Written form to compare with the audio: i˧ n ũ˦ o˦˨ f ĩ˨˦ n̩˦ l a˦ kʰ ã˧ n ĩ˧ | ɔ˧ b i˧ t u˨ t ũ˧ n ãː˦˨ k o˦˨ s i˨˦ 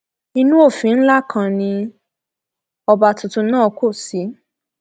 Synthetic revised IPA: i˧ n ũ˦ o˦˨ f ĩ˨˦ n̩˦ l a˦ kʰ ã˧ n ĩ˧ | ɔ˧ b a˧ t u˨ t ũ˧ n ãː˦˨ k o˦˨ s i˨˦